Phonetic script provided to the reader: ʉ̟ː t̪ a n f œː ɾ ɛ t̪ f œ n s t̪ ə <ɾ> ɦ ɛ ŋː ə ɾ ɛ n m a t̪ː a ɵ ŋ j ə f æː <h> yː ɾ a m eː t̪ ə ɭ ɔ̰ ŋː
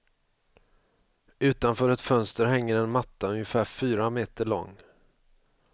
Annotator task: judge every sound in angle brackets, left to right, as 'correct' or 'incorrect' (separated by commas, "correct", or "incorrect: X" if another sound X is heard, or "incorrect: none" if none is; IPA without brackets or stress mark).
correct, incorrect: f